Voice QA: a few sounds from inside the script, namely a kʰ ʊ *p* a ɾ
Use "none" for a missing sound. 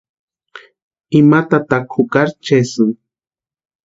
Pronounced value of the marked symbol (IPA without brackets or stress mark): k